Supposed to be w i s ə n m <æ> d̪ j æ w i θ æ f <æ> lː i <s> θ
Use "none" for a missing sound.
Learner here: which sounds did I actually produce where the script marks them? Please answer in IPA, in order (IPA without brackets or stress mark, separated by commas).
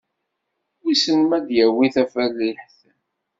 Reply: æ, æ, ħ